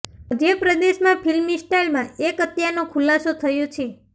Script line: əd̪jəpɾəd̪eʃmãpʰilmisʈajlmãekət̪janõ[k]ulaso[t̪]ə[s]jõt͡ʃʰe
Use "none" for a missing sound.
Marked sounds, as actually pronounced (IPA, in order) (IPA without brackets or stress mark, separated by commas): kʰ, t̪ʰ, none